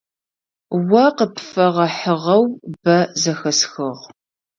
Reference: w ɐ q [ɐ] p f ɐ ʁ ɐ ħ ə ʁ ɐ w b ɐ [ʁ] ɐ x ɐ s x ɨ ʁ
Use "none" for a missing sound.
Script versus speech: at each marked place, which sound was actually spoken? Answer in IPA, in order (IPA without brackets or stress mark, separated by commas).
ə, z